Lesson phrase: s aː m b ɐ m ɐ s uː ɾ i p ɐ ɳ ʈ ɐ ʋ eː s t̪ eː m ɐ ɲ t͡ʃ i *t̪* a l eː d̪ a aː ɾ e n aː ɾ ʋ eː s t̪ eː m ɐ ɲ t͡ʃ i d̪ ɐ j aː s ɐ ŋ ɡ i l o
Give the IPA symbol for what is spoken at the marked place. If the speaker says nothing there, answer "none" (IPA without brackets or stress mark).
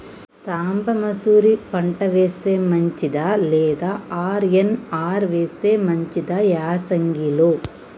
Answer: d̪